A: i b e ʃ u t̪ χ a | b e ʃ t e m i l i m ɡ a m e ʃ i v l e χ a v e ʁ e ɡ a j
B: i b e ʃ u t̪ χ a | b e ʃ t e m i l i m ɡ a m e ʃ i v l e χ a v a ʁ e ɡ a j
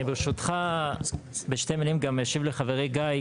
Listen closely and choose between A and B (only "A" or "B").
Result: A